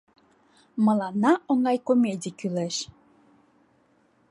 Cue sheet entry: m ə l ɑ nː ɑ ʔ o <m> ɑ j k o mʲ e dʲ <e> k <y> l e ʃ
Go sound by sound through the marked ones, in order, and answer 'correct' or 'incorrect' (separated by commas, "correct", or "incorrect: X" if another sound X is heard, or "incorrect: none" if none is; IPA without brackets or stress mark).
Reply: incorrect: ŋ, incorrect: i, correct